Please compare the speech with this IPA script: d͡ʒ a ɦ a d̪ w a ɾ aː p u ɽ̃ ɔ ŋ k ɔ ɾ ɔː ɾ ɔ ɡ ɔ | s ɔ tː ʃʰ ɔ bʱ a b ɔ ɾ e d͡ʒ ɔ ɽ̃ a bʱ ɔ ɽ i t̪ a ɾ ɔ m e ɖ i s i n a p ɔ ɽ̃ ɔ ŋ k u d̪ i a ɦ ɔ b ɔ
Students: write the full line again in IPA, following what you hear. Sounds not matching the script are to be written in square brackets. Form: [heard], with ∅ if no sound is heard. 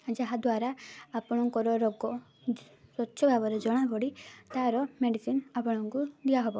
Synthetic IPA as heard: d͡ʒ a ɦ a d̪ w a ɾ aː p [ɔ] ɽ̃ ɔ ŋ k ɔ ɾ [ɔ] ɾ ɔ ɡ ɔ | s ɔ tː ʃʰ ɔ bʱ a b ɔ ɾ e d͡ʒ ɔ ɽ̃ a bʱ ɔ ɽ i t̪ a ɾ ɔ m e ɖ i s i n a p ɔ ɽ̃ ɔ ŋ k u d̪ i a ɦ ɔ b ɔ